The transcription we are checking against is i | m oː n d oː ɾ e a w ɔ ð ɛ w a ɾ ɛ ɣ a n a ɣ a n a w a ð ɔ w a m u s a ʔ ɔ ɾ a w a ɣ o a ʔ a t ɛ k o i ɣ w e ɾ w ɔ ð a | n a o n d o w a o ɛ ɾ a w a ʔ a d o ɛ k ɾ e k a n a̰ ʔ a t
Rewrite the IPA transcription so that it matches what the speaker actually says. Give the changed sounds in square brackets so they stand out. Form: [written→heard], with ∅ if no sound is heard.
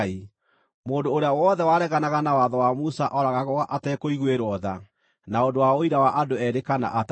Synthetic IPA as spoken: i | m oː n d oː ɾ e a w ɔ ð ɛ w a ɾ ɛ ɣ a n a ɣ a n a w a ð ɔ w a m u s a ʔ ɔ ɾ a [w→ɣ] a ɣ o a ʔ a t ɛ k o i ɣ w e ɾ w ɔ ð a | n a o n d o w a o [ɛ→i] ɾ a w a ʔ a d o ɛ [k→∅] ɾ e k a n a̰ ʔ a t

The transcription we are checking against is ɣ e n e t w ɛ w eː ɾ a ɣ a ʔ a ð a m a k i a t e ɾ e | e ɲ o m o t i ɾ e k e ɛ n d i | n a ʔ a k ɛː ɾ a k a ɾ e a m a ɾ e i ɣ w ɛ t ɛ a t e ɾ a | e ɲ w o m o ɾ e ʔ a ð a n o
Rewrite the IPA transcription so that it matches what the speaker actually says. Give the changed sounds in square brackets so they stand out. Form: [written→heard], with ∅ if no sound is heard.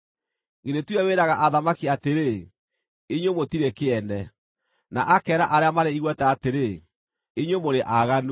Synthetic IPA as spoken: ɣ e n e t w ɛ w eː ɾ a ɣ a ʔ a ð a m a k i a t e ɾ e | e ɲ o m o t i ɾ e k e ɛ n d [i→ɛ] | n a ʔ a k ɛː ɾ a [k→ʔ] a ɾ e a m a ɾ e i ɣ w ɛ t ɛ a t e ɾ [a→e] | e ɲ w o m o ɾ e ʔ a [ð→ɣ] a n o

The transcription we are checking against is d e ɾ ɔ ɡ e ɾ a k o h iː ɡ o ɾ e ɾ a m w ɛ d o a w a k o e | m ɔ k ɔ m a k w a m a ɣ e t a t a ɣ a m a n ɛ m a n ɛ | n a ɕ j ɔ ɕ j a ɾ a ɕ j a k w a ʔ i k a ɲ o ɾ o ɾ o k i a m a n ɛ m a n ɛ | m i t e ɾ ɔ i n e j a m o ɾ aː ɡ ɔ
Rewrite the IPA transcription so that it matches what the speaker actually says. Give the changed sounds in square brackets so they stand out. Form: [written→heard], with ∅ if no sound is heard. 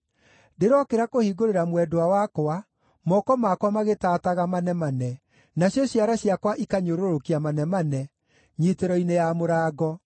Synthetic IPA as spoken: d e ɾ ɔ [ɡ→k] e ɾ a k o h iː ɡ o ɾ e ɾ a m w ɛ d o a w a k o [e→a] | m ɔ k ɔ m a k w a m a ɣ e t a t a ɣ a m a n ɛ m a n ɛ | n a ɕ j ɔ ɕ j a ɾ a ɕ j a k w a ʔ i k a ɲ o ɾ o ɾ o k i a m a n ɛ m a n ɛ | [m→ɲ] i t e ɾ ɔ i n e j a m o ɾ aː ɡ ɔ

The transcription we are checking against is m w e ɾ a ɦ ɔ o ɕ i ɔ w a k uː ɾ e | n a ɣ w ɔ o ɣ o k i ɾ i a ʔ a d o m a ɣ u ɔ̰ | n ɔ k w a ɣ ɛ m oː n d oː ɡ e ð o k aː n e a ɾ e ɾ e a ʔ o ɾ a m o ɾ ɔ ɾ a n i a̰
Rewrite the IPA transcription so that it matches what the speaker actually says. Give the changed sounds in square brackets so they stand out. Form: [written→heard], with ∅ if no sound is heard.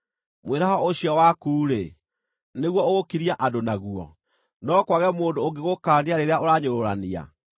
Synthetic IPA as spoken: m w e ɾ a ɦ ɔ o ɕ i ɔ w a k uː ɾ e | n [a→e] ɣ w ɔ o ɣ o k i ɾ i a ʔ a d o [m→n] a ɣ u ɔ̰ | n ɔ k w a ɣ ɛ m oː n d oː ɡ e [ð→ɣ] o k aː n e a ɾ e ɾ e a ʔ o ɾ a [m→ɲ] o ɾ [ɔ→o] ɾ a n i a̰

